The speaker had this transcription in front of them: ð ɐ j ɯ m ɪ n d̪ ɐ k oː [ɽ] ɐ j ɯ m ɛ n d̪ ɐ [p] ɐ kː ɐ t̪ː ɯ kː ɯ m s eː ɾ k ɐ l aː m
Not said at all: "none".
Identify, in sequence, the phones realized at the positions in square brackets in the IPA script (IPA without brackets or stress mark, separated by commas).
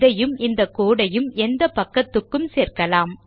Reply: ɽ, p